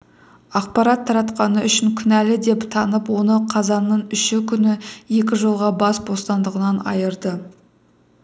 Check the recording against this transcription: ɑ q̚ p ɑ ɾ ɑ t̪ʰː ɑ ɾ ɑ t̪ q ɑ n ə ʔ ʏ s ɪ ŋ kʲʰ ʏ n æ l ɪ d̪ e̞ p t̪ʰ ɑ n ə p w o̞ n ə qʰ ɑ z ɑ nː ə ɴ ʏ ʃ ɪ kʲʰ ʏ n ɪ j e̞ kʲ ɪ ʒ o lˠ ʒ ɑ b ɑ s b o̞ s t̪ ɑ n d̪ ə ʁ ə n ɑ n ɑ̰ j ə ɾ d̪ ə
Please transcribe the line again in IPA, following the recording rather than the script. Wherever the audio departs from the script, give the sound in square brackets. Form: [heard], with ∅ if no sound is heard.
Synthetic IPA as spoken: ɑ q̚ p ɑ ɾ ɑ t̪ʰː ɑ ɾ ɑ t̪ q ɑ n ə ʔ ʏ [ʃ] ɪ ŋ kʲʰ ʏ n æ l ɪ d̪ e̞ p t̪ʰ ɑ n ə p w o̞ n ə qʰ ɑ z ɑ nː ə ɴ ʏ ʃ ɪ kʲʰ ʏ n ɪ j e̞ kʲ ɪ ʒ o lˠ [ʁ] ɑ b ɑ s b o̞ s t̪ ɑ n d̪ ə ʁ ə n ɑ n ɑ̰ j ə ɾ d̪ ə